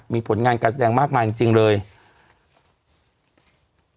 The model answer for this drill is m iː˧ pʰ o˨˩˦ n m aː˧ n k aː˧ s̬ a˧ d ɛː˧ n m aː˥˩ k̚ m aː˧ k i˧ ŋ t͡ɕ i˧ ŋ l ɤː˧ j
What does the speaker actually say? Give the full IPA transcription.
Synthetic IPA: m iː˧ pʰ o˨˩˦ n ŋ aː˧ n k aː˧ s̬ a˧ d ɛː˧ ŋ m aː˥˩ k̚ m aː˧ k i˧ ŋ t͡ɕ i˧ ŋ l ɤː˧ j